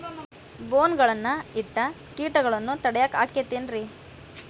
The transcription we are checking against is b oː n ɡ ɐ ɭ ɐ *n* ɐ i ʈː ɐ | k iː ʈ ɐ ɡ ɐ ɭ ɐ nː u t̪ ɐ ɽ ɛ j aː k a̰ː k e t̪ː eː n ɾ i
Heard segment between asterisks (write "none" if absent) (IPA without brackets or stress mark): nː